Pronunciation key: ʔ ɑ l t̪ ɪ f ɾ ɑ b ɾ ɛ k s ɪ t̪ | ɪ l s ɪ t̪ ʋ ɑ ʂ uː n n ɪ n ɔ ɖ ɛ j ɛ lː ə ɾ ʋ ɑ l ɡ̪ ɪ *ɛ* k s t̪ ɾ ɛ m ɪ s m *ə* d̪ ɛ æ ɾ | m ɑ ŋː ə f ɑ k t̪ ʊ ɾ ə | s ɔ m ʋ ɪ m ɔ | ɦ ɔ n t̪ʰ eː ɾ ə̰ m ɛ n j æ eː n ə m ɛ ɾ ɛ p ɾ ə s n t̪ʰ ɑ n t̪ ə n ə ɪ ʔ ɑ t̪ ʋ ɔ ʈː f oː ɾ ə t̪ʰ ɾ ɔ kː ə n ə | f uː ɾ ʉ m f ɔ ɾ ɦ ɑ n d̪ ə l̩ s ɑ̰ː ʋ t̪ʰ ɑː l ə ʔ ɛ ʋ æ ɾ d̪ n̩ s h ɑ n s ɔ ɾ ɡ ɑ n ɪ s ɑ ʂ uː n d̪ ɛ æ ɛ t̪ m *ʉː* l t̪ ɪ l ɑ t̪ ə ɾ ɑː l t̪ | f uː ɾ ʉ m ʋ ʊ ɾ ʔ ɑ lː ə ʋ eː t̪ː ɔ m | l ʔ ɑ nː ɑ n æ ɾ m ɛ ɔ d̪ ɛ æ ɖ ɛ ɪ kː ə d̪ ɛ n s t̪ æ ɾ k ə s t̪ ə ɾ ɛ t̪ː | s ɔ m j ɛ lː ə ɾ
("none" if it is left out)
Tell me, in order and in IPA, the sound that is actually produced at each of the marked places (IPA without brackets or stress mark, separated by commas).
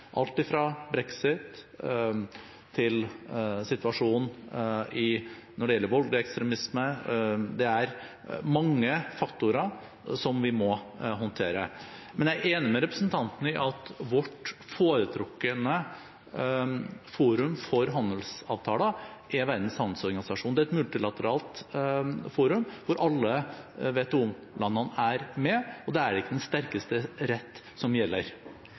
ɛ, ə, ʉ